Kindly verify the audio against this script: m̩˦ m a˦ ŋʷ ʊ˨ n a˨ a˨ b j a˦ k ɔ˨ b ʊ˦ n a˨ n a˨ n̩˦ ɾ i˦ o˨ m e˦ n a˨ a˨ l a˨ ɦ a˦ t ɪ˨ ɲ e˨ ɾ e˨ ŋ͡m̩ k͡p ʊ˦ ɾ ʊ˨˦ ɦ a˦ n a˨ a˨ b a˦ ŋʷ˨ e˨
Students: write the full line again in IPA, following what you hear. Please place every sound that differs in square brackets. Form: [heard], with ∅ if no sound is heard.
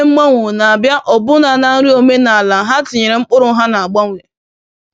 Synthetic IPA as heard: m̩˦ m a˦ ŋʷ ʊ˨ n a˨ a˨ b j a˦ [ʔ] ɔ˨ b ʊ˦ n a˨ n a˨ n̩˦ ɾ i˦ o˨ m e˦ n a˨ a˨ l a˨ ɦ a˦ t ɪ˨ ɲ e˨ ɾ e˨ ŋ͡m̩ k͡p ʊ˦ ɾ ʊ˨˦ ɦ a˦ n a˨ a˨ [ɡ͡b] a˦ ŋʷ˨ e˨